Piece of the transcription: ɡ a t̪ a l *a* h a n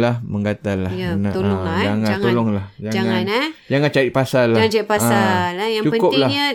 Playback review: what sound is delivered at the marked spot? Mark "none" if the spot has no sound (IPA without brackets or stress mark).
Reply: a